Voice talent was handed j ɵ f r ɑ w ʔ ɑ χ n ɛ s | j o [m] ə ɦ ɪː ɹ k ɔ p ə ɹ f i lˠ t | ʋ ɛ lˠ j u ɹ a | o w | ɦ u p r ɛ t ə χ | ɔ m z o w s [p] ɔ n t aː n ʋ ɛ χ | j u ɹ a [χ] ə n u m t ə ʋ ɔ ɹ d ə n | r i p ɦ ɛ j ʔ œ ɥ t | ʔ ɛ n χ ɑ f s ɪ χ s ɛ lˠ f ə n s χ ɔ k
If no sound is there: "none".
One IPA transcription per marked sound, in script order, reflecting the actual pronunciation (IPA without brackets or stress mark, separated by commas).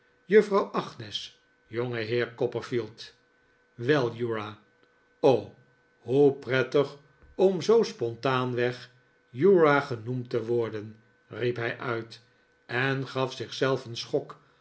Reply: ŋ, p, χ